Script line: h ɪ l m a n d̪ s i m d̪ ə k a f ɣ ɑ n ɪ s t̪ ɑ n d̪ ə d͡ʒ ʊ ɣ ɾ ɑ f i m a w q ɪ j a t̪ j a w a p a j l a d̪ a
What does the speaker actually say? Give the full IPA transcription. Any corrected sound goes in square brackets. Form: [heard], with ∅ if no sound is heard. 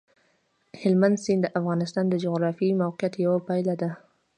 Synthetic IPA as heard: h ɪ l m a n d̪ s i [n] d̪ ə [ʔ] a f ɣ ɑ n ɪ s t̪ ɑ n d̪ ə d͡ʒ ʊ ɣ ɾ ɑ f i m a w q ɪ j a t̪ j a w a p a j l a d̪ a